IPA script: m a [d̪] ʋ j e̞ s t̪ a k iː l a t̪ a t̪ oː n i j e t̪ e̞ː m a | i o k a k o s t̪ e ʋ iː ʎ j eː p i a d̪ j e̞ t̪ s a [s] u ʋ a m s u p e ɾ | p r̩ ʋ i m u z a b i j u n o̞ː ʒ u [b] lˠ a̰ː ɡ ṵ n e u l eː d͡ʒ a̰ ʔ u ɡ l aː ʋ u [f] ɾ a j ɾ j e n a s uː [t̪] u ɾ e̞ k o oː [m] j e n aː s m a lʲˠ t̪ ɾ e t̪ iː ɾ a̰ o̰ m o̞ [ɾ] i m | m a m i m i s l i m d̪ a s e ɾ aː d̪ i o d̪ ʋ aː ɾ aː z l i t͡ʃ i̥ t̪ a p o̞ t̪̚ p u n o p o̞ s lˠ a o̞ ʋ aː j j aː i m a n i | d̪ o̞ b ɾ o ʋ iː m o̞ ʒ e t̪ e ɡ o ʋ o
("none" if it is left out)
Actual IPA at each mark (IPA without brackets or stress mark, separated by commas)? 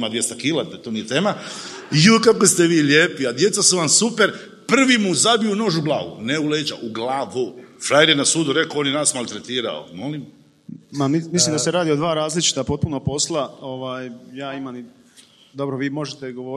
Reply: d̪, s, b, f, d̪, n, l